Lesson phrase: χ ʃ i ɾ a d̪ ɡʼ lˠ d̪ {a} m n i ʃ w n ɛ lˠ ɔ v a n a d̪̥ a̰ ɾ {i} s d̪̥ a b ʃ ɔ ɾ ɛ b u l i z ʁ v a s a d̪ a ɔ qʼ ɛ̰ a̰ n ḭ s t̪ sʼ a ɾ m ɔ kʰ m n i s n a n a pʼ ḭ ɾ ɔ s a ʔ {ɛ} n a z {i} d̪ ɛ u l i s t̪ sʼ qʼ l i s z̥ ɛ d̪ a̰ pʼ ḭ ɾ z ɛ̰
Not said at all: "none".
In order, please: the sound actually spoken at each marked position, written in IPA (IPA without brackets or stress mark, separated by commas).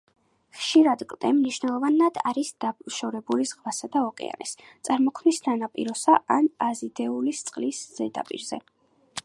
ɛ, i, a, i